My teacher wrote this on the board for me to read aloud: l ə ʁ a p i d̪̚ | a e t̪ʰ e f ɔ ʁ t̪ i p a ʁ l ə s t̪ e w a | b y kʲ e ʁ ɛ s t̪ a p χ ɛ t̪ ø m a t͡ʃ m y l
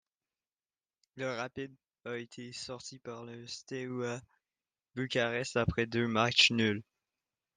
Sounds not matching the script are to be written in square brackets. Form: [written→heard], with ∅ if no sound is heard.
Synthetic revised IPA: l ə ʁ a p i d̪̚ | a e t̪ʰ e [f→s] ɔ ʁ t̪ i p a ʁ l ə s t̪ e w a | b y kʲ [e→a] ʁ ɛ s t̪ a p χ ɛ [t̪→d̪] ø m a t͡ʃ [m→n] y l